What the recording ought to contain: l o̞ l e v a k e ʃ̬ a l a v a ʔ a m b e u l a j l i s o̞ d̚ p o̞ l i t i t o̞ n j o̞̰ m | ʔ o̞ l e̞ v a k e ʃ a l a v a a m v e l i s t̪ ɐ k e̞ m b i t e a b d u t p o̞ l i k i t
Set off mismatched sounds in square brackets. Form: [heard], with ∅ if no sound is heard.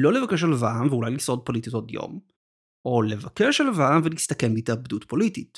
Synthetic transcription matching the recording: l o̞ l e v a k e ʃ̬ a l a v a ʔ a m [v] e u l a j l i s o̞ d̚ p o̞ l i t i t o̞ [d] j o̞̰ m | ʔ o̞ l e̞ v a k e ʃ a l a v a a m v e l i s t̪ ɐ k e̞ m b i t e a b d u t p o̞ l i [t] i t